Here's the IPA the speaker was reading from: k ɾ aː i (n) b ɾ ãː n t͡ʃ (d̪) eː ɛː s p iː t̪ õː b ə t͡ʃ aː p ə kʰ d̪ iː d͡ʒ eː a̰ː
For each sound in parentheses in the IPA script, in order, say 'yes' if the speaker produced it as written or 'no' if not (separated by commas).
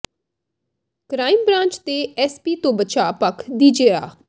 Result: no, no